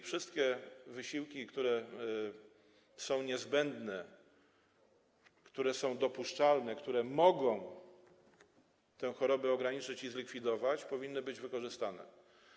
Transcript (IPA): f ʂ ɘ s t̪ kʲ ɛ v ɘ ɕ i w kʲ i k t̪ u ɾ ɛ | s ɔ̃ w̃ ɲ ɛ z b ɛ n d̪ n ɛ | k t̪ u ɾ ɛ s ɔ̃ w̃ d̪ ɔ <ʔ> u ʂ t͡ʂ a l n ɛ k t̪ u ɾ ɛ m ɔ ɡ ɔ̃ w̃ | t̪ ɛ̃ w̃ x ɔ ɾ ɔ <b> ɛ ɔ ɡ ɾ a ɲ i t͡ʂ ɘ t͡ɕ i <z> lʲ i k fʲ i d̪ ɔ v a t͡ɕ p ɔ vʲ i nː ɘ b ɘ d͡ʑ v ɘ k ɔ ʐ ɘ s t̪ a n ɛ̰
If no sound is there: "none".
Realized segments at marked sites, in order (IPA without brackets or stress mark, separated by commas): p, b, z